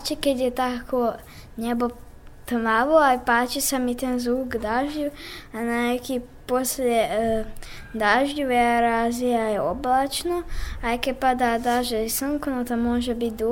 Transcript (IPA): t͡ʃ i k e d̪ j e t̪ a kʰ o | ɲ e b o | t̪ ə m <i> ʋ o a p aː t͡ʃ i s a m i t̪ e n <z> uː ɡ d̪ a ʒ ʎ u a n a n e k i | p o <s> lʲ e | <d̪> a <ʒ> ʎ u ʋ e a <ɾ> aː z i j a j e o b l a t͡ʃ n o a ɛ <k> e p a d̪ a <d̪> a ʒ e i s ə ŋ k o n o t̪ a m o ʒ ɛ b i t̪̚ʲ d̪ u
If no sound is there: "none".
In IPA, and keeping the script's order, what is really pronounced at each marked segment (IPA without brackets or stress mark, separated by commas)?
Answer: a, z, s, d̪, ʒ, ɾ, k, d̪